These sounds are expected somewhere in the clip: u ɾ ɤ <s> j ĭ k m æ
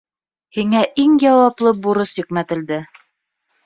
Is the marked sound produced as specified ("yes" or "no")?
yes